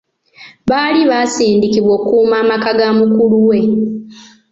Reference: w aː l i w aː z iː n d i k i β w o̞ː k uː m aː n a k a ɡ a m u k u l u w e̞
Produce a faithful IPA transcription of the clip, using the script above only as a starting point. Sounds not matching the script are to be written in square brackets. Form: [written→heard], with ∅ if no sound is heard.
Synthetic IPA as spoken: [w→β] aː l i [w→β] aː [z→s] iː n d i k i β w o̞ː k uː m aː [n→m] a k a ɡ a m u k u l u w e̞

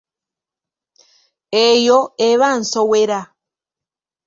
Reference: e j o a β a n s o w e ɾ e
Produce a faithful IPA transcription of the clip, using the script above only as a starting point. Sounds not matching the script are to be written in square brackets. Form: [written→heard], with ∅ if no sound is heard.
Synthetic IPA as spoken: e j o [a→e] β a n s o w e ɾ [e→a]

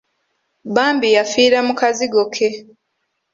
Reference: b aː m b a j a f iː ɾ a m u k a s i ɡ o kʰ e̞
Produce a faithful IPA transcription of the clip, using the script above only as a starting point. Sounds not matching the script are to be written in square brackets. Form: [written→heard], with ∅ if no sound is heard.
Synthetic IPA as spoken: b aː m b [a→i] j a f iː ɾ a m u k a [s→z] i ɡ o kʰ e̞

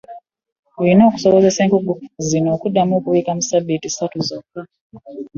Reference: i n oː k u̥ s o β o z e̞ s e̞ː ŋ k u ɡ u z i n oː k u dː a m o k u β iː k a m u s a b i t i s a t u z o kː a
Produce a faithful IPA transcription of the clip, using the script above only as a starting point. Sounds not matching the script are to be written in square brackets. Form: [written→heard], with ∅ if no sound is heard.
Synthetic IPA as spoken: i n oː k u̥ s o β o z e̞ s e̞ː ŋ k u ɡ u z i n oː k u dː a m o k u β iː k a m u s a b i t i s a t u z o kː a

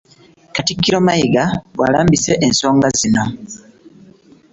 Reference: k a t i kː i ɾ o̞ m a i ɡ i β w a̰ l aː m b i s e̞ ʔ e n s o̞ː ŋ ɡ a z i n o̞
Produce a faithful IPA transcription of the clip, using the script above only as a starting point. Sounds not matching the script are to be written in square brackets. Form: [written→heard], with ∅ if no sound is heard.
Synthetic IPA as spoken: k a t i kː i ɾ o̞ m a i ɡ [i→a] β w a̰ l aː m b i s e̞ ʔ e n s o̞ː ŋ ɡ a z i n o̞

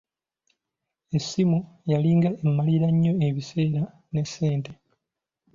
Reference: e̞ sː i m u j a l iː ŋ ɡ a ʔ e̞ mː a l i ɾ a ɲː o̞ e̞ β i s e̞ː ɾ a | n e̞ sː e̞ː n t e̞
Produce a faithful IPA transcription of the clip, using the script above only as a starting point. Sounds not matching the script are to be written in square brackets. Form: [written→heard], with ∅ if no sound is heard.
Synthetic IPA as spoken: e̞ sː i m u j a l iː ŋ ɡ a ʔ e̞ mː a l i ɾ a ɲː o̞ e̞ β i s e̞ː ɾ a | n e̞ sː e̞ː n t e̞

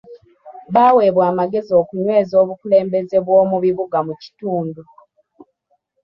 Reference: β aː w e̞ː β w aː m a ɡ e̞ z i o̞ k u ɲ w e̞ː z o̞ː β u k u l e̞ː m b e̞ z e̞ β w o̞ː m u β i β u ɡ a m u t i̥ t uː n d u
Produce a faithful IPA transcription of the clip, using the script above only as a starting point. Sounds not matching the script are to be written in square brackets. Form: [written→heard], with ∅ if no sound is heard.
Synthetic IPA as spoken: β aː w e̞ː β w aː m a ɡ e̞ z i o̞ k u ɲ w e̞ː z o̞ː β u k u l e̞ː m b e̞ z e̞ β w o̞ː m u β i β u ɡ a m u [t→c] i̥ t uː n d u

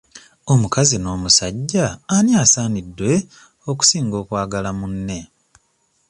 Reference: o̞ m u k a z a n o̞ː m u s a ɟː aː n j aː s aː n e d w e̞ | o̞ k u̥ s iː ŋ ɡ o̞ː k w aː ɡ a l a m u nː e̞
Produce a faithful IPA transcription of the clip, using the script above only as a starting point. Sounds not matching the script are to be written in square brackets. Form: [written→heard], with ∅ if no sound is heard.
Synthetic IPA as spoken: o̞ m u k a z [a→i] n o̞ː m u s a ɟː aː n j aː s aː n [e→i] d w e̞ | o̞ k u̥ s iː ŋ ɡ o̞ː k w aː ɡ a l a m u nː e̞

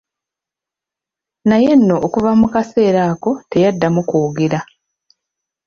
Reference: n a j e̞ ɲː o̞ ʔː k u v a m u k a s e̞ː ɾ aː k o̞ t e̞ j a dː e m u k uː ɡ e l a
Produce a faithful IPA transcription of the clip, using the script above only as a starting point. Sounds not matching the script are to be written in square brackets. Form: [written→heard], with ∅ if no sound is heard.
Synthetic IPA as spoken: n a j e̞ [ɲː→nː] o̞ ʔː k u v a m u k a s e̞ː ɾ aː k o̞ t e̞ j a dː [e→a] m u k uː ɡ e [l→ɾ] a

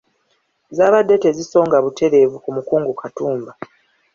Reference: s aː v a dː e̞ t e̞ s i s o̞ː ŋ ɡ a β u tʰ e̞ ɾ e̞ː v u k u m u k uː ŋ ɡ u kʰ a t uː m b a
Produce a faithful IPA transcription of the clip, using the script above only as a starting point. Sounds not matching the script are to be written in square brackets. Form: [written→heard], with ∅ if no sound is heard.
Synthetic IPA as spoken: [s→z] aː [v→β] a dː e̞ t e̞ [s→z] i s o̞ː ŋ ɡ a β u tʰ e̞ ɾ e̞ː v u k u m u k uː ŋ ɡ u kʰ a t uː m b a

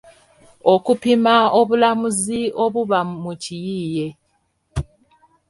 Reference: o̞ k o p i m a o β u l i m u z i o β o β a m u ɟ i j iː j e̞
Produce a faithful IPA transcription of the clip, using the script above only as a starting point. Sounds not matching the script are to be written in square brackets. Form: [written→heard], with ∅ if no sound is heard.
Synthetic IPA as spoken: o̞ k [o→u] p i m a o β u l [i→a] m u z i o β [o→u] β a m u [ɟ→c] i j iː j e̞

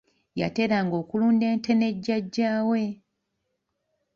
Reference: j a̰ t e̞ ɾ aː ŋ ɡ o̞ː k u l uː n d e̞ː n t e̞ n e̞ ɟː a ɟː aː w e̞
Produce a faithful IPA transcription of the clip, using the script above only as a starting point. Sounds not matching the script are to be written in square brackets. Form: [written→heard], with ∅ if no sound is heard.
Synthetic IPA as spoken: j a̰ t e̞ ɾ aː ŋ ɡ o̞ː k u l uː n d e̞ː n t e̞ n e̞ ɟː a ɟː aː w e̞

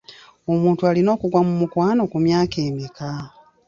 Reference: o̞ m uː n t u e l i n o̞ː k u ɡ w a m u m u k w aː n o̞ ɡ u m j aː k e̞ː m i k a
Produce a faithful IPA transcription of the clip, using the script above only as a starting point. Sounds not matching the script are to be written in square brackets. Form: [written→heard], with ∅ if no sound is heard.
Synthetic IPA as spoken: o̞ m uː n t u [e→a] l i n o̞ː k u ɡ w a m u m u k w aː n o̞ [ɡ→k] u m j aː k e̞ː m i k a

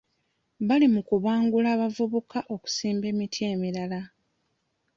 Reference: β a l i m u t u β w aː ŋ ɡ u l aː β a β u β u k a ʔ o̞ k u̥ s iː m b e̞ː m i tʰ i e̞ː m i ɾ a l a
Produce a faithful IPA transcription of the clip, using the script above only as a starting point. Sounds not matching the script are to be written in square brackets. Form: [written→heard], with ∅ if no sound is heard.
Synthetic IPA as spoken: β a l i m u [t→k] u β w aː ŋ ɡ u l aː β a [β→v] u β u k a ʔ o̞ k u̥ s iː m b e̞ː m i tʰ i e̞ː m i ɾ a l a

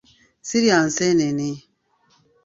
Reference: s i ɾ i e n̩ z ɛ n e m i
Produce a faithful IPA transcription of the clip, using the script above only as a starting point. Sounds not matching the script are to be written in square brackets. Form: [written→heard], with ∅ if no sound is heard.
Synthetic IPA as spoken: s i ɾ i [e→a] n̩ [z→s] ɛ n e [m→n] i

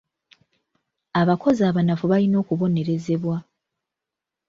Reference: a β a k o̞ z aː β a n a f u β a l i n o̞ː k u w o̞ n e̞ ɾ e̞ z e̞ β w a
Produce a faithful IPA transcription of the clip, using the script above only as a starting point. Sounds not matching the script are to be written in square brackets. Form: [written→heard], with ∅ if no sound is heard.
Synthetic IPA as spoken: a β a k o̞ z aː β a n a f u β a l i n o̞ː k u [w→β] o̞ n e̞ ɾ e̞ z e̞ β w a

